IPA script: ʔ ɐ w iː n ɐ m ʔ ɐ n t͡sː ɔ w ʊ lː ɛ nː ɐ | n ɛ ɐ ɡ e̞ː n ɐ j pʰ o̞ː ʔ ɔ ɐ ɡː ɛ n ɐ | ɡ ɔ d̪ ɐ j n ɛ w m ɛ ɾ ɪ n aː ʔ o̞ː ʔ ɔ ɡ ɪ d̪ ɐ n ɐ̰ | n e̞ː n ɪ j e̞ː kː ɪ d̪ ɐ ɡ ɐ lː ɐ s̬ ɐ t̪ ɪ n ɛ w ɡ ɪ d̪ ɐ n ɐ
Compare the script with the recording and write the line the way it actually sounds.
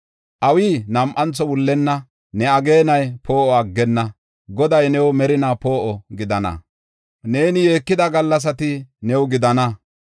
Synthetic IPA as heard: ʔ ɐ w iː n ɐ m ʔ ɐ n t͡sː ɔ w ʊ lː ɛ nː ɐ | n ɛ ɐ ɡ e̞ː n ɐ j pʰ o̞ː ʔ ɔ ɐ ɡː ɛ nː ɐ | ɡ ɔ d̪ ɐ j n ɛ w m ɛ ɾ ɪ n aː p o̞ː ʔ ɔ ɡ ɪ d̪ ɐ n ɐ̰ | n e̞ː n ɪ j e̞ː kː ɪ d̪ ɐ ɡ ɐ lː ɐ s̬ ɐ t̪ ɪ n ɛ w ɡ ɪ d̪ ɐ n ɐ